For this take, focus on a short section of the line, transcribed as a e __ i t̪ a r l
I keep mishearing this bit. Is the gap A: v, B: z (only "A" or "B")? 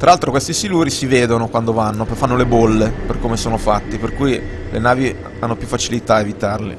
A